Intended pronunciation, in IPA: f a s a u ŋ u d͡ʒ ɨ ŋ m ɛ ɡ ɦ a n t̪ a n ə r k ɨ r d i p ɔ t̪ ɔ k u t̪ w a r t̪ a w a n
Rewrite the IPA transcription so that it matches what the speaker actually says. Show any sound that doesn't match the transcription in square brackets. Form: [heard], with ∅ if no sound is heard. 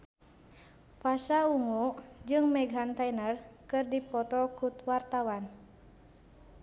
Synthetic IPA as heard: f a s a u ŋ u d͡ʒ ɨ ŋ m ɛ ɡ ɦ a n t̪ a n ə r k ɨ r d i p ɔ t̪ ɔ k u t̪ w a r t̪ a w a n